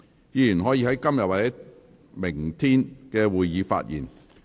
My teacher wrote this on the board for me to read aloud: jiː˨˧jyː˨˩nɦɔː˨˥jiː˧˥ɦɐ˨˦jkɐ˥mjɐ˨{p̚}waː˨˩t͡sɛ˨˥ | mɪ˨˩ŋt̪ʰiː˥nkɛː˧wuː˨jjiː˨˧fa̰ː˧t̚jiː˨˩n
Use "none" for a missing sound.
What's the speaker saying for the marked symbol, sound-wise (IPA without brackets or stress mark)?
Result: t̚